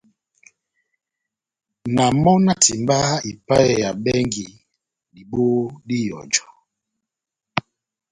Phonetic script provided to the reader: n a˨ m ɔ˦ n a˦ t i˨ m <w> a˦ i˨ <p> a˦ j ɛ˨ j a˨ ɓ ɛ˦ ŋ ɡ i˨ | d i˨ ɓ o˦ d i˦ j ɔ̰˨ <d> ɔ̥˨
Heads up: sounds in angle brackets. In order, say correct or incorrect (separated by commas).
incorrect, correct, incorrect